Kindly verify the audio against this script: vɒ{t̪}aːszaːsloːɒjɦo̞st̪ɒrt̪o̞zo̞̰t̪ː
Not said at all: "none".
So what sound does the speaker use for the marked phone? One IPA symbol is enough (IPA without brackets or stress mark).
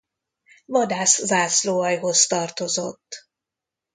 d̪